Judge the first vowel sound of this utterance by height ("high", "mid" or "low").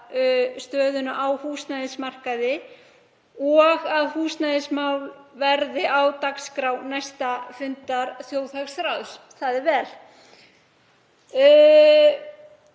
mid